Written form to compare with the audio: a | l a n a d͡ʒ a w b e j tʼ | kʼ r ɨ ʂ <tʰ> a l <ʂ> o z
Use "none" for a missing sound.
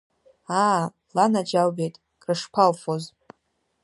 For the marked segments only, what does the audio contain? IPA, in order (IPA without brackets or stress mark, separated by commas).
pʰ, f